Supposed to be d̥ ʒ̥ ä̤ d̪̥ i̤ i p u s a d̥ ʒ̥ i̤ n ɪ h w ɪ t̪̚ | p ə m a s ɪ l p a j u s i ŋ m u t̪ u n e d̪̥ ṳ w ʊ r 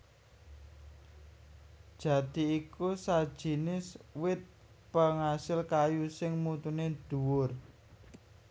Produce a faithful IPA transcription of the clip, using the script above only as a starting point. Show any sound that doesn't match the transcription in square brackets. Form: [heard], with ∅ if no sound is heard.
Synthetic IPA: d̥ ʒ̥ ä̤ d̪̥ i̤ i [k] u s a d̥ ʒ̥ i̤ n ɪ [s] w ɪ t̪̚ | p ə [ŋ] a s ɪ l [k] a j u s [ɪ] ŋ m u t̪ u n e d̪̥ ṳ w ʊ r